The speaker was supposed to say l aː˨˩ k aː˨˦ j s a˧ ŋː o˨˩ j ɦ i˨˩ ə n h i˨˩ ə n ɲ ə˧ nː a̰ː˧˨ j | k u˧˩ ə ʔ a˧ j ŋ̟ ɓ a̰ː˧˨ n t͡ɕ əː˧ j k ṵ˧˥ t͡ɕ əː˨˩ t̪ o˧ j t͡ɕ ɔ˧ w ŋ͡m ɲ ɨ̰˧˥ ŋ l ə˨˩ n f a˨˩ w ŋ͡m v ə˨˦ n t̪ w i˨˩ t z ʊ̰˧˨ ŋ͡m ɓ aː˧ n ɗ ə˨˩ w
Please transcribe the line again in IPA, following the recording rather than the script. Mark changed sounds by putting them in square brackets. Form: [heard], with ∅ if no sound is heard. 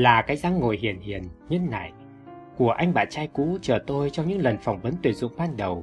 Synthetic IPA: l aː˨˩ k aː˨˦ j [z] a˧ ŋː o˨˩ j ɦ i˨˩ ə n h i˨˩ ə n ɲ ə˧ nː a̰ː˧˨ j | k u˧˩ ə ʔ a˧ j ŋ̟ ɓ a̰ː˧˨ n t͡ɕ [aː˧] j k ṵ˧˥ t͡ɕ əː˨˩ t̪ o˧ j t͡ɕ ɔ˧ w ŋ͡m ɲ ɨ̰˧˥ ŋ l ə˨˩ n f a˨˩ w ŋ͡m v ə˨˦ n t̪ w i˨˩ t z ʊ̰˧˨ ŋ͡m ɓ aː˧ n ɗ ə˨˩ w